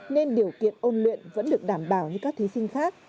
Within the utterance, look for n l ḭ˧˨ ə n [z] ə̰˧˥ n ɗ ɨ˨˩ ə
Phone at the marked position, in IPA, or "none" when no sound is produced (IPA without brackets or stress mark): v